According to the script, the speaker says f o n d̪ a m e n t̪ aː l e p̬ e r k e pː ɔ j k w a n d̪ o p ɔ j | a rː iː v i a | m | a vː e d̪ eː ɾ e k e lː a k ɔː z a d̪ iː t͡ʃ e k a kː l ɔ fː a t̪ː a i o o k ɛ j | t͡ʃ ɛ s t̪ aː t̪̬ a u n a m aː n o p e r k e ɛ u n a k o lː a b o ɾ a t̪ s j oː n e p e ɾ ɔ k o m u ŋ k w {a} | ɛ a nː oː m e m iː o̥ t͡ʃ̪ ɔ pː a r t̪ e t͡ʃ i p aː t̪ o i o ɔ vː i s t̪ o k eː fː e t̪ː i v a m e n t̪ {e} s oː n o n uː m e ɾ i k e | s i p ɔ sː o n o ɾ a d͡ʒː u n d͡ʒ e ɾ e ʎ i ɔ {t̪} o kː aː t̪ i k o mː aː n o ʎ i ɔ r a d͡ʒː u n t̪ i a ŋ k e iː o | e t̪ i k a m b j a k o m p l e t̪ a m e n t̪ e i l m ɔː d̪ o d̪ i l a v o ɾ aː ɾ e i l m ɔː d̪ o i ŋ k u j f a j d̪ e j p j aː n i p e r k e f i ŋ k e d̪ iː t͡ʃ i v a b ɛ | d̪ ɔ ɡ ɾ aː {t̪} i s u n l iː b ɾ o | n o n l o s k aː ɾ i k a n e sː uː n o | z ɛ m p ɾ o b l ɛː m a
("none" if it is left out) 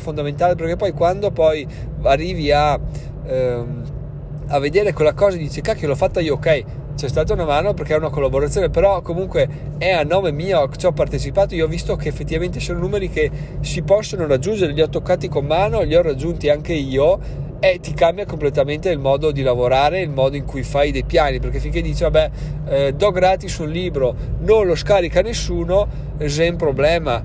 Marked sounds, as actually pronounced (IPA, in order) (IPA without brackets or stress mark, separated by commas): e, e, t̪, t̪